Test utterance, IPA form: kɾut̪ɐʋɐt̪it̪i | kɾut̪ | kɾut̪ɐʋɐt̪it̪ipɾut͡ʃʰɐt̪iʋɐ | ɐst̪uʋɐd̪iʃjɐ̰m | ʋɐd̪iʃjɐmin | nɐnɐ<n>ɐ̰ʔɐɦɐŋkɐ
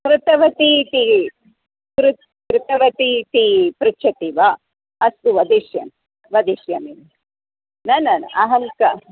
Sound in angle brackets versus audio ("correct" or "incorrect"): correct